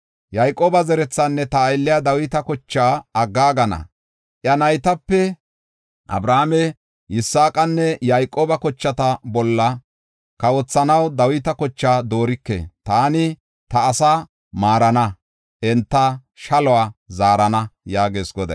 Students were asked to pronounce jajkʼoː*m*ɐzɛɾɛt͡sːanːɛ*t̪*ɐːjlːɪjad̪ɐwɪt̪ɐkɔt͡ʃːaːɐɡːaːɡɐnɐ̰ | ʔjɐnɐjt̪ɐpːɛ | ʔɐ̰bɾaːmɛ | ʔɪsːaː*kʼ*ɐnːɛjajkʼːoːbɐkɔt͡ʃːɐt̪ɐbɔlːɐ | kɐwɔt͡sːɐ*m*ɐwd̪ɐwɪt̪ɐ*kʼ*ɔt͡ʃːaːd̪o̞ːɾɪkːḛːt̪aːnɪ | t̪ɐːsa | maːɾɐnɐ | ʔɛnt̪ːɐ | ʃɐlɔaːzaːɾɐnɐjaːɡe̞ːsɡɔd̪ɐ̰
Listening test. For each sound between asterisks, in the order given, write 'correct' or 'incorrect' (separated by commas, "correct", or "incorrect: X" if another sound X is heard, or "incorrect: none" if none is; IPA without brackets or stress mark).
incorrect: b, correct, correct, incorrect: n, incorrect: k